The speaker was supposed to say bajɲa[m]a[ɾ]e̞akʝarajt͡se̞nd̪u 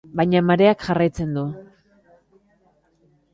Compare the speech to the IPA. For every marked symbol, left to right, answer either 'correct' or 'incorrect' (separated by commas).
correct, correct